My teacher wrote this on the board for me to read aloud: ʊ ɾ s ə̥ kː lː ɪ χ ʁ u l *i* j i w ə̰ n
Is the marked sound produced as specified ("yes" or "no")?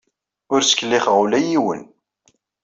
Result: no